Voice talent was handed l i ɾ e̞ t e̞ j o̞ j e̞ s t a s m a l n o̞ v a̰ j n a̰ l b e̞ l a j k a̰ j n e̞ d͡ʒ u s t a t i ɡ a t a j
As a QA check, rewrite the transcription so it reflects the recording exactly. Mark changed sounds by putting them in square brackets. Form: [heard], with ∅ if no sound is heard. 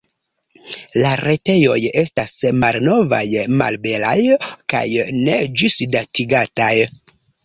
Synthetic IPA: l [a] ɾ e̞ t e̞ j o̞ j e̞ s t a s m a l n o̞ v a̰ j [m] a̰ l b e̞ l a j k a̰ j n e̞ d͡ʒ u s [d] a t i ɡ a t a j